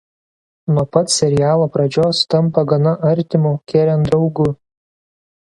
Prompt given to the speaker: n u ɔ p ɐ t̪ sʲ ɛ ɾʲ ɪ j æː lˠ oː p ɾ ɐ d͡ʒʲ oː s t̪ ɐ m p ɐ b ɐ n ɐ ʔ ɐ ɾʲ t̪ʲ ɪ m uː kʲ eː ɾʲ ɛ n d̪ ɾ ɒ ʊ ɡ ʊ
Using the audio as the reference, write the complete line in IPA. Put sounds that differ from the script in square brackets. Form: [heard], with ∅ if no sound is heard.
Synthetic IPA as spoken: n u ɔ p ɐ t̪ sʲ ɛ ɾʲ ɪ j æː lˠ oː p ɾ ɐ d͡ʒʲ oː s t̪ ɐ m p ɐ [ɡ] ɐ n ɐ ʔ ɐ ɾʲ t̪ʲ ɪ m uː kʲ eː ɾʲ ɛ n d̪ ɾ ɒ ʊ ɡ ʊ